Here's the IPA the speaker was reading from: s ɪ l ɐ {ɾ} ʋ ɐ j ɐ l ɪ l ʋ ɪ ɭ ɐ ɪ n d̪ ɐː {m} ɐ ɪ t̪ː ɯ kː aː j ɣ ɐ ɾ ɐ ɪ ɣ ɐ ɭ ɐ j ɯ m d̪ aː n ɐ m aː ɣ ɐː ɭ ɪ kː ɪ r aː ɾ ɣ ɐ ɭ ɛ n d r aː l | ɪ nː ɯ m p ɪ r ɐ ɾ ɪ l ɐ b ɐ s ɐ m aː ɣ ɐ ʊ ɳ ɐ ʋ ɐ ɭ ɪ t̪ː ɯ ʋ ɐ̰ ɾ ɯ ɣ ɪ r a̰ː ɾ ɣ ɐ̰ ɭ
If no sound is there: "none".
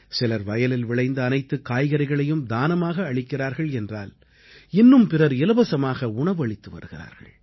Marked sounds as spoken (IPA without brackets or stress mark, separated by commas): ɾ, n